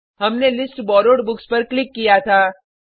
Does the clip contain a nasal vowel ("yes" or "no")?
no